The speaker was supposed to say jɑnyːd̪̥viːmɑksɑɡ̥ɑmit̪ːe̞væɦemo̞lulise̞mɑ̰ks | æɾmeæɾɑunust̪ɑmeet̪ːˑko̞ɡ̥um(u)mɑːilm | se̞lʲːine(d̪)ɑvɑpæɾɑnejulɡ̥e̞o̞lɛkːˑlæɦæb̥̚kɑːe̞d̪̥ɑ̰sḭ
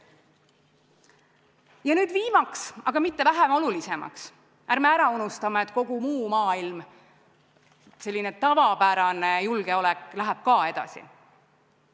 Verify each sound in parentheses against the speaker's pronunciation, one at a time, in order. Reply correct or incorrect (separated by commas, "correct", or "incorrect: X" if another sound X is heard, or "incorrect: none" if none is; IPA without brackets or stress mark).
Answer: incorrect: uː, incorrect: t̪